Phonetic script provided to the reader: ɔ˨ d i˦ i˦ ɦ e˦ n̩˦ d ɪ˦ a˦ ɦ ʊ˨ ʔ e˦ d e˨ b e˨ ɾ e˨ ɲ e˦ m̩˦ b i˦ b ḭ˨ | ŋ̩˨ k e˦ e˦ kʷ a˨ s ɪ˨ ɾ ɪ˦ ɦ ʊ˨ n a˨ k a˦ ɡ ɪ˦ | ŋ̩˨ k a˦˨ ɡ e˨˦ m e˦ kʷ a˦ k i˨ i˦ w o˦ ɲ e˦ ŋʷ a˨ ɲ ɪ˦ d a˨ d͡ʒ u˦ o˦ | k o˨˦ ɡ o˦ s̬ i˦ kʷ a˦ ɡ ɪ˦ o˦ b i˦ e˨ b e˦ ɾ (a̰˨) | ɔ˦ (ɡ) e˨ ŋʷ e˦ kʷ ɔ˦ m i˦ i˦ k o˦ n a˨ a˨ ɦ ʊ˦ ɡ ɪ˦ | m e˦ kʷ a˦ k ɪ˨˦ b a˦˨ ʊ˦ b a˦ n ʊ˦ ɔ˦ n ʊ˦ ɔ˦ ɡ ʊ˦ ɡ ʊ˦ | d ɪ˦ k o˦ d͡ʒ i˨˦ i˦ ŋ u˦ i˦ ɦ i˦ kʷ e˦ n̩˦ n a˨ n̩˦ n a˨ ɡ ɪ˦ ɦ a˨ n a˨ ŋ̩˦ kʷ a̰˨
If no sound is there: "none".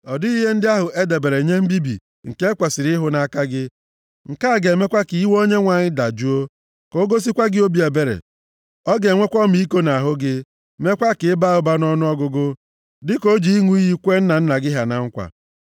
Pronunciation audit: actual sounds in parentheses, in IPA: ḛ˨, ɡ

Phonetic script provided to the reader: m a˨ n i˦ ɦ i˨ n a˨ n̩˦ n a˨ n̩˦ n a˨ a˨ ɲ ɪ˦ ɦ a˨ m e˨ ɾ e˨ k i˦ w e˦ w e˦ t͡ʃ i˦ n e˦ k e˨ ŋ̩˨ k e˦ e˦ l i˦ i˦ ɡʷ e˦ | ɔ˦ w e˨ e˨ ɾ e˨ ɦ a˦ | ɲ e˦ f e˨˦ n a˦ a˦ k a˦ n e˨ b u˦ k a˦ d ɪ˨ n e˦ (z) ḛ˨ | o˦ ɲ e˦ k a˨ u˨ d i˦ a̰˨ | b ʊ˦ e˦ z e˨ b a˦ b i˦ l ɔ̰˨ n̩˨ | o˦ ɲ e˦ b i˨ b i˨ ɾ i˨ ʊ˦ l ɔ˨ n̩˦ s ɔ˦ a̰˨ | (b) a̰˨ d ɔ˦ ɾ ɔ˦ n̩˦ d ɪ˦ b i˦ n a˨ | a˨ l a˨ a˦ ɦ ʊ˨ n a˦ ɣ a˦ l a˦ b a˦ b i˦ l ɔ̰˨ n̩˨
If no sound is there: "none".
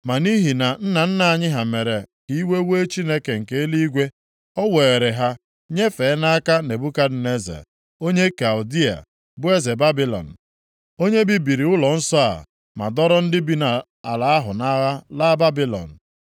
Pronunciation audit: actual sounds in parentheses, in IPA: z, m

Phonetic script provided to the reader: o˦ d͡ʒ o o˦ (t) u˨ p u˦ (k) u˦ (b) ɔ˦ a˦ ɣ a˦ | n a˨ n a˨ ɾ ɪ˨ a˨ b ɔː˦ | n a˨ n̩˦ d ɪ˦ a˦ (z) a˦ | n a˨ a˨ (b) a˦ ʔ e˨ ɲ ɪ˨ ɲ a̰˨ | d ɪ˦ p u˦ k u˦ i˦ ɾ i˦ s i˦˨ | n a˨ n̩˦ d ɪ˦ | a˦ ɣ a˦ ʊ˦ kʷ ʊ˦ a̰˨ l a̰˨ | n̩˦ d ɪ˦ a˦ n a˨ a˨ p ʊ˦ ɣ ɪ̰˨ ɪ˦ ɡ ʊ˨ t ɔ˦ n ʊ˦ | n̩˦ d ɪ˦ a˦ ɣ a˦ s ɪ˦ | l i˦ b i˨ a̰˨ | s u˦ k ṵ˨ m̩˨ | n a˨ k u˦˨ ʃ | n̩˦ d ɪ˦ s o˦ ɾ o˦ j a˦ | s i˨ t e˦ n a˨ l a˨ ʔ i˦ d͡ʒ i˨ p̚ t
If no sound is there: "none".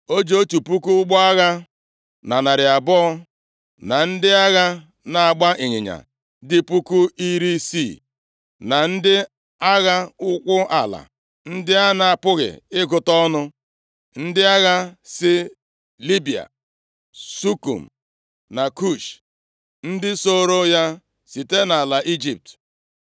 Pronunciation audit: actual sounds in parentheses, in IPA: t, k, ɡ͡b, ɣ, ɡ͡b

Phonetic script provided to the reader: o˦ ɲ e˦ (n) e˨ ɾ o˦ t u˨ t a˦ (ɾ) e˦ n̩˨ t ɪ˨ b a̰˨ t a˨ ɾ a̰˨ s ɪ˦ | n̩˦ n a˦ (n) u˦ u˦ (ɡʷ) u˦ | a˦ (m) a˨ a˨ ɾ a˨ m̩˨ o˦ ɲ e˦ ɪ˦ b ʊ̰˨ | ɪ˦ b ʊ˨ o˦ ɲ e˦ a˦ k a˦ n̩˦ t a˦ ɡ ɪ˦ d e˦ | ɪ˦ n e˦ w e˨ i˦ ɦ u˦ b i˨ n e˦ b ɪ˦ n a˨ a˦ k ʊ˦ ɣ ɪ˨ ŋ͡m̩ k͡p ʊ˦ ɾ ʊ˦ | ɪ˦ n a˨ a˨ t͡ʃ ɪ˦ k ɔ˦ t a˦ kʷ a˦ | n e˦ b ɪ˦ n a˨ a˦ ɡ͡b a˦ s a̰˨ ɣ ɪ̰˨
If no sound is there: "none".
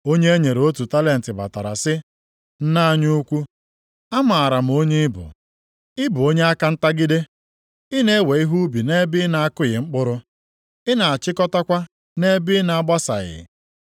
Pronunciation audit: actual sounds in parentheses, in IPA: ɲ, l, ɲ, kʷ, m

